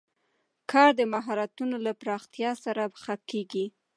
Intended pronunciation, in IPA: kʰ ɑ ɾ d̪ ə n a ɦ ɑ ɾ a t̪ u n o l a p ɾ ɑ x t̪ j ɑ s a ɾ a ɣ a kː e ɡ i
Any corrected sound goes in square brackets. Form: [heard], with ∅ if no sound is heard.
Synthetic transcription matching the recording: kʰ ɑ ɾ d̪ ə [m] a ɦ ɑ ɾ a t̪ u n o l a p ɾ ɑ x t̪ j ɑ s a ɾ a [x] a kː e ɡ i